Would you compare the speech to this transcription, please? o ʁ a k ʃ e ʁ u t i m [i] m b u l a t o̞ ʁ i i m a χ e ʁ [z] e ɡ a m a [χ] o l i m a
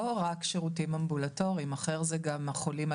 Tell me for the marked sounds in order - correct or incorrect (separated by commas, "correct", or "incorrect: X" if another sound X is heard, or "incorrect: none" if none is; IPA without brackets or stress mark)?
incorrect: a, correct, correct